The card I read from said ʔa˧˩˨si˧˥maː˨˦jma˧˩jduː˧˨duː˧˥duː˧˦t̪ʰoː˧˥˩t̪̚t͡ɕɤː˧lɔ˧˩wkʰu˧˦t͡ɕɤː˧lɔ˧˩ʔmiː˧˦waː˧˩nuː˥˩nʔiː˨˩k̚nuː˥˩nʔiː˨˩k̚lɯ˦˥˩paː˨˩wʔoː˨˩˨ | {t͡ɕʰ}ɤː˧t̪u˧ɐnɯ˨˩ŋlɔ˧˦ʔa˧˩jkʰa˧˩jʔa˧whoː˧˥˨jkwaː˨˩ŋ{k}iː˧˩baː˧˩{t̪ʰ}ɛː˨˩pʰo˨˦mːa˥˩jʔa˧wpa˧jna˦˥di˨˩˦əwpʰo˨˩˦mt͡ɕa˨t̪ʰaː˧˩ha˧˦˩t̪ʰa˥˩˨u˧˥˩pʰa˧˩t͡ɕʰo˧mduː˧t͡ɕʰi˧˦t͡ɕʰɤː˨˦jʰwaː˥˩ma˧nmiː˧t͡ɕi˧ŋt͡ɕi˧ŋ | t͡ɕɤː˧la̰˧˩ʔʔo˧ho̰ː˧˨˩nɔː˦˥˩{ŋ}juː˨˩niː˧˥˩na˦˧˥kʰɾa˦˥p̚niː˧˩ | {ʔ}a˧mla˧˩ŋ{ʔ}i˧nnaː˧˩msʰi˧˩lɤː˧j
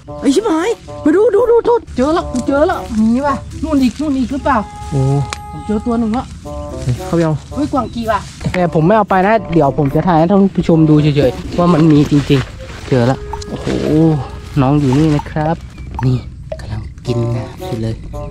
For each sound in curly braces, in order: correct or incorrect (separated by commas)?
incorrect, correct, incorrect, correct, incorrect, incorrect